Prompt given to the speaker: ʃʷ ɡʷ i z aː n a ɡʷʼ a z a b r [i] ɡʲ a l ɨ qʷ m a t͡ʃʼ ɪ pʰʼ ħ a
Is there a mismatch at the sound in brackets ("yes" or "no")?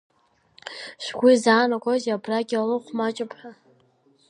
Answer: yes